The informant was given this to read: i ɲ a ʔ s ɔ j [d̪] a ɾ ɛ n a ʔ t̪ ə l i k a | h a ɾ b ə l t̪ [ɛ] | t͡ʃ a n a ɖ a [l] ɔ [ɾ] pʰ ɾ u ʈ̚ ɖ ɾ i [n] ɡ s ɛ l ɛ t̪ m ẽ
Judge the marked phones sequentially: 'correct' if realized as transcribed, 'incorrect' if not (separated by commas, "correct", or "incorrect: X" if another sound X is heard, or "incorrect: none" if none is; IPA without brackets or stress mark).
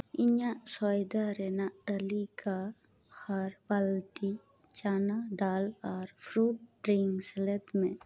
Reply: correct, incorrect: i, correct, correct, incorrect: ŋ